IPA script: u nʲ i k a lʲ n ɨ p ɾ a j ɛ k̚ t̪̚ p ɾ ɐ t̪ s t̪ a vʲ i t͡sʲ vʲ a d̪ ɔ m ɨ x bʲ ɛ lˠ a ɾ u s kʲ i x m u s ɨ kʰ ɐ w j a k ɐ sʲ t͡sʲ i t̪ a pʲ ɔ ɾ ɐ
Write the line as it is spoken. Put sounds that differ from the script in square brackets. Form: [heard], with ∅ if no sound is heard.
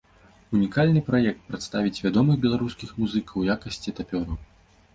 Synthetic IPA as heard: u nʲ i k a lʲ n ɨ p ɾ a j ɛ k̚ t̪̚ p ɾ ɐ t̪ s t̪ a vʲ i t͡sʲ vʲ a d̪ ɔ m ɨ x bʲ ɛ lˠ a ɾ u s kʲ i x m u [z] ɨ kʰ ɐ w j a k ɐ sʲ t͡sʲ i t̪ a pʲ ɔ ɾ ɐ